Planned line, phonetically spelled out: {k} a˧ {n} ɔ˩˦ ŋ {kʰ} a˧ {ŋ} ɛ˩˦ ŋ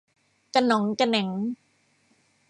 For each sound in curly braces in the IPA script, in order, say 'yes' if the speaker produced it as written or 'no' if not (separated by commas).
yes, yes, no, no